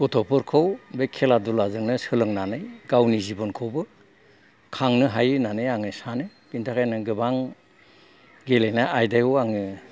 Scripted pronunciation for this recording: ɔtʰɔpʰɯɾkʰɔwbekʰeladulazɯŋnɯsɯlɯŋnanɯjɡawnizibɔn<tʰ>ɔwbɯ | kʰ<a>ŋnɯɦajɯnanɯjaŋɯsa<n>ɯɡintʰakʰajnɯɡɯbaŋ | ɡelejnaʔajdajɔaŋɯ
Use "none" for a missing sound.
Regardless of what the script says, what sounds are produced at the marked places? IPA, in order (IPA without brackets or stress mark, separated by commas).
kʰ, a, n